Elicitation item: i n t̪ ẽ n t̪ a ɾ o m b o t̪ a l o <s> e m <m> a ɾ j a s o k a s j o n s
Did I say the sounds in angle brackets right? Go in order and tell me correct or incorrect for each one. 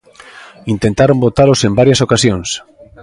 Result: correct, incorrect: b

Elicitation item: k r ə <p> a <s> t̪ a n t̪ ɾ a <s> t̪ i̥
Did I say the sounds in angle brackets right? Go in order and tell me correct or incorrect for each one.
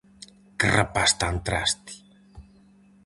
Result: correct, correct, correct

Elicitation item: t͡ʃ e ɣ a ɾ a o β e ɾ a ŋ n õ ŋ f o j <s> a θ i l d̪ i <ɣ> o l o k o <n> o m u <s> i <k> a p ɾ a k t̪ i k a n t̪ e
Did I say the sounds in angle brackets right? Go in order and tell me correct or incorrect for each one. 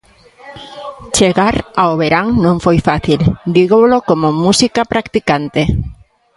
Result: incorrect: f, correct, incorrect: m, correct, correct

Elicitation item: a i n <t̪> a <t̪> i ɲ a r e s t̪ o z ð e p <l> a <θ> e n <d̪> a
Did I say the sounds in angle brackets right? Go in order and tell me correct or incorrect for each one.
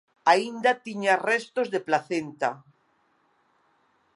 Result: incorrect: d̪, correct, correct, correct, incorrect: t̪

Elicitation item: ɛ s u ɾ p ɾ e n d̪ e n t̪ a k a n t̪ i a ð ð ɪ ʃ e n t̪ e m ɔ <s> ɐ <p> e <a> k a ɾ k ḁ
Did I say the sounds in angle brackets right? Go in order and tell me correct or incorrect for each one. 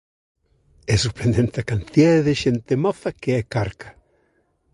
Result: incorrect: θ, incorrect: k, incorrect: ɛ

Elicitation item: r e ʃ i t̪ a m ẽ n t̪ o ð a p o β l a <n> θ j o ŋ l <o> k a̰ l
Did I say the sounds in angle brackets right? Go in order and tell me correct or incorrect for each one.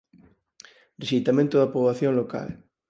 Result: incorrect: none, correct

